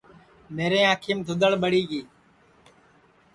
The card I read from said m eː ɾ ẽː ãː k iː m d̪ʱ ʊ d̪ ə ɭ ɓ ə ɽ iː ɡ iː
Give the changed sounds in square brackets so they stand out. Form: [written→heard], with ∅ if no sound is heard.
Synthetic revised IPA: m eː ɾ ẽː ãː [k→kʰ] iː m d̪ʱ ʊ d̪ ə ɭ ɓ ə ɽ iː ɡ iː